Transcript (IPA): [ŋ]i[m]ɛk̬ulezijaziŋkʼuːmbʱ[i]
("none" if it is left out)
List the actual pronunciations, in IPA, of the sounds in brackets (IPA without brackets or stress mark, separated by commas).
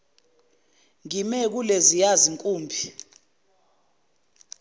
ŋ, m, i